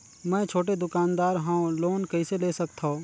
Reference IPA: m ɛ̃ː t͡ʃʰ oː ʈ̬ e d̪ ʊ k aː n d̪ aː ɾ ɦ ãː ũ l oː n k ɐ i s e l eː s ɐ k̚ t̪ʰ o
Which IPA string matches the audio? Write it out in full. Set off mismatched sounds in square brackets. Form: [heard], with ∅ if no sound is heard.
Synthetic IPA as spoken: m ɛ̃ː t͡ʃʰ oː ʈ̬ e d̪ ʊ k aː n d̪ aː ɾ ɦ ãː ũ l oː n k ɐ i s e l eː s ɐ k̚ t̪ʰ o